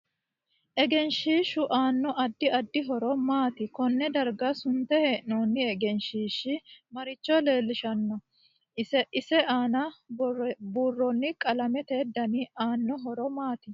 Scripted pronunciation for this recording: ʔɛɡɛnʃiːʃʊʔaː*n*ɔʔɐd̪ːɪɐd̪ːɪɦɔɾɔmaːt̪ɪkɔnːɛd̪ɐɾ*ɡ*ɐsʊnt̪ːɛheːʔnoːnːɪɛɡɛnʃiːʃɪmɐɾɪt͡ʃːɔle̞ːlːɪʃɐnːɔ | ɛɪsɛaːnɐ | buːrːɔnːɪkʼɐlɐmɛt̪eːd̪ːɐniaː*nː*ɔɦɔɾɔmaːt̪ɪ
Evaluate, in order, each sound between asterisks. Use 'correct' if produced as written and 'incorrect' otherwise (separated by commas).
incorrect, correct, correct